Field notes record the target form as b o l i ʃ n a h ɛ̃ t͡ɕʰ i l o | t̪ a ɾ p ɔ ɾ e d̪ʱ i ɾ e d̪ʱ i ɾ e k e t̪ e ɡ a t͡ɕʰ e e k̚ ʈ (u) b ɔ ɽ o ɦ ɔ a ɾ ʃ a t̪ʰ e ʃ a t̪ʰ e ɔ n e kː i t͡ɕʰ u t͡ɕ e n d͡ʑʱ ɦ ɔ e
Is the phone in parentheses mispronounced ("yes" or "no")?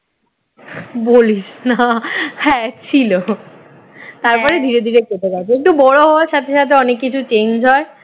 no